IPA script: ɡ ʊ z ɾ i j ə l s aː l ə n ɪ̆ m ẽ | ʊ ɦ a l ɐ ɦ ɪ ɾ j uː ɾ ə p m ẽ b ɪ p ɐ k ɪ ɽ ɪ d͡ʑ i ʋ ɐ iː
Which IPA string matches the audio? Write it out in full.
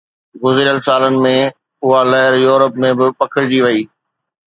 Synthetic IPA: ɡ ʊ z ɾ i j ə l s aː l ə n ɪ̆ m ẽ | ʊ ɦ a l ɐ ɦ ɪ ɾ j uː ɾ ə p m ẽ b ɪ p ɐ kʰ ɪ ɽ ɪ d͡ʑ i ʋ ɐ iː